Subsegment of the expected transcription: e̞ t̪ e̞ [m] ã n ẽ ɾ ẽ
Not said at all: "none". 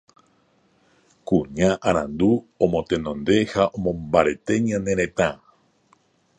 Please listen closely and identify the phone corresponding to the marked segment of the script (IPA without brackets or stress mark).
ɲ